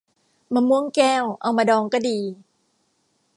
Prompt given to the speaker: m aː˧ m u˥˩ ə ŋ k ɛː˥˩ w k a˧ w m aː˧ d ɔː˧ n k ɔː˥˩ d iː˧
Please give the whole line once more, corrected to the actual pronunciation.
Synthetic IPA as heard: m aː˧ m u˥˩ ə ŋ k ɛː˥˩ w ʔ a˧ w m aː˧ d ɔː˧ ŋ k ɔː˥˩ d iː˧